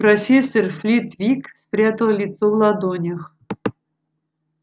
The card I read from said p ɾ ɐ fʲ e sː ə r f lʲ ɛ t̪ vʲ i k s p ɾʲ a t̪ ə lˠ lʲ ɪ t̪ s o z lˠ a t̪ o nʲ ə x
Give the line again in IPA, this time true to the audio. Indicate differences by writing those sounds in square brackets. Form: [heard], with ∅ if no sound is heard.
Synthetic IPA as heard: p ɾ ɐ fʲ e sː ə r f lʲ [i] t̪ vʲ i k s p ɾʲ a t̪ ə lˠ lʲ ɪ t̪ s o [v] lˠ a [d̪] o nʲ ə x